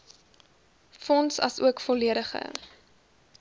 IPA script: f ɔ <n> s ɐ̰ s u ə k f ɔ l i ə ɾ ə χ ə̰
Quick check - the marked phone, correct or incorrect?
correct